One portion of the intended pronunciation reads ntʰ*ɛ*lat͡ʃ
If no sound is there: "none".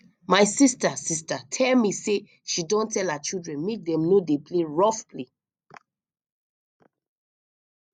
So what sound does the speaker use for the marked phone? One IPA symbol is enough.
ɛ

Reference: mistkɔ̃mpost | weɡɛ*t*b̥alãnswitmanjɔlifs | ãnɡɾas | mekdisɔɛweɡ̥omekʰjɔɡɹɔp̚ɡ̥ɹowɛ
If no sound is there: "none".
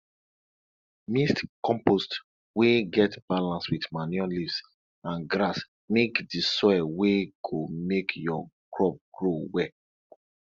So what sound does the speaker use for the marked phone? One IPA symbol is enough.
t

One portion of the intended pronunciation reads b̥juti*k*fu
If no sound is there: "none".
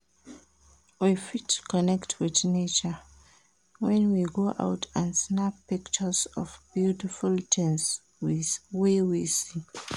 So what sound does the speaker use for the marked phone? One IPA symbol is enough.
none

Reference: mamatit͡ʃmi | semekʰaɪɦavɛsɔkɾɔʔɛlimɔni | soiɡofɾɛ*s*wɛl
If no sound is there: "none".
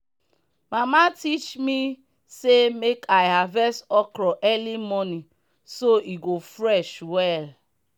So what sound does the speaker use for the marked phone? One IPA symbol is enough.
ʃ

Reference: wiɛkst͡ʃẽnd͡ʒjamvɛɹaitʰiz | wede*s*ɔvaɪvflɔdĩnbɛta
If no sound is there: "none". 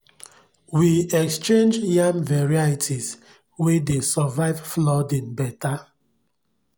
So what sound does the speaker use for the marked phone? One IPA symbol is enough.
s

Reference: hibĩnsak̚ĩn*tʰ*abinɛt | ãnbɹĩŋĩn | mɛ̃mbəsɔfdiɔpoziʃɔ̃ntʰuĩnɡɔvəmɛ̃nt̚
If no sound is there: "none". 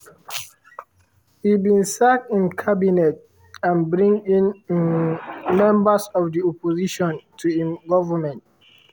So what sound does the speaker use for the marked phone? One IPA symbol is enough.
kʰ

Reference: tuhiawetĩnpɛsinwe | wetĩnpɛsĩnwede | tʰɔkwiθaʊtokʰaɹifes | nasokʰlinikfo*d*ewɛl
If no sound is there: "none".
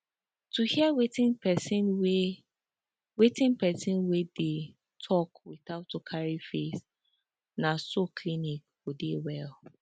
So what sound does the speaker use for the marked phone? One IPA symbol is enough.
d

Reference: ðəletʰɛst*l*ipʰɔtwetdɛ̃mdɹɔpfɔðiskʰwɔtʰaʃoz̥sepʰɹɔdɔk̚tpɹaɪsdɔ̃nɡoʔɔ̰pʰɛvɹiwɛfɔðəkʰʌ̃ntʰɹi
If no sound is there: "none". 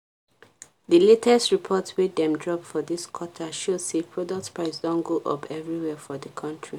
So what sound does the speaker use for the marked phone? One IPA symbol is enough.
ɹ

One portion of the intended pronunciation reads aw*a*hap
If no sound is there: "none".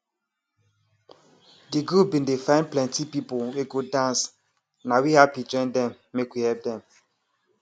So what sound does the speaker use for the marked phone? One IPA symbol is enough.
i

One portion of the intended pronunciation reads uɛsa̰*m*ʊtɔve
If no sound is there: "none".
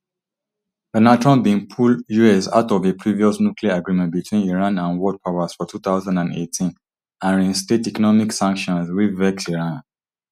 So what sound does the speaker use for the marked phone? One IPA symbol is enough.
none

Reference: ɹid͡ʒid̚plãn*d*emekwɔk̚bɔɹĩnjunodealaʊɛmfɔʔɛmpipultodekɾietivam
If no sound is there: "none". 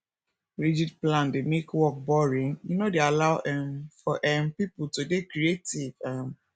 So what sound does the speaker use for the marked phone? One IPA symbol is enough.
d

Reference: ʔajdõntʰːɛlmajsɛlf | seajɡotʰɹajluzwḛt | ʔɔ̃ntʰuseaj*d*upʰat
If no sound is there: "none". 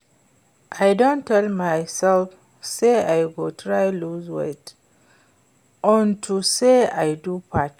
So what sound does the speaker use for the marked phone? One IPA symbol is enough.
d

